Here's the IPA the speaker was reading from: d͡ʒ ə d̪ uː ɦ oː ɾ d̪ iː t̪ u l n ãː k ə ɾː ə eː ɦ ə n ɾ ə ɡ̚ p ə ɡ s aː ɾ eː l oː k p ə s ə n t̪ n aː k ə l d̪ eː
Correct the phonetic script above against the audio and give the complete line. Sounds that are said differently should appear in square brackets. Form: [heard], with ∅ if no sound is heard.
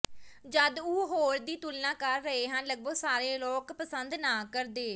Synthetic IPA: d͡ʒ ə d̪ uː ɦ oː ɾ d̪ iː t̪ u l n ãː k ə ɾː ə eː ɦ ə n [l] ə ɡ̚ [b] ə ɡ s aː ɾ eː l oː k p ə s ə n [d̪] n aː k ə [ɾ] d̪ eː